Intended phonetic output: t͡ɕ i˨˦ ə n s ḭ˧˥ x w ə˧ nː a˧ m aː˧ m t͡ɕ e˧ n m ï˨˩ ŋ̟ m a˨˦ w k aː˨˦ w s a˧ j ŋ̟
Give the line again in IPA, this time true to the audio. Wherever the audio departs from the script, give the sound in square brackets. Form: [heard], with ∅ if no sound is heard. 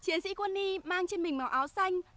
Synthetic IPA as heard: t͡ɕ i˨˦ ə n s ḭ˧˥ [k] w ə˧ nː [i˧] m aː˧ [ŋ] t͡ɕ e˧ n m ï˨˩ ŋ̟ m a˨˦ w [ʔ] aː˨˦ w s a˧ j ŋ̟